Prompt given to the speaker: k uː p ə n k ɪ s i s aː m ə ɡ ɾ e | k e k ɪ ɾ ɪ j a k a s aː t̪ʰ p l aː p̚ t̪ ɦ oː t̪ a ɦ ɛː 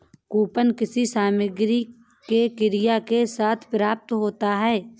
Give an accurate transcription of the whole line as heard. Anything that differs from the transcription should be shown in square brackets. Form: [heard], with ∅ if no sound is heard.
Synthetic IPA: k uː p ə n k ɪ s i s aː m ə ɡ ɾ [i] | k e k ɪ ɾ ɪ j a k [e] s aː t̪ʰ p [ɾ] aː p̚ t̪ ɦ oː t̪ a ɦ ɛː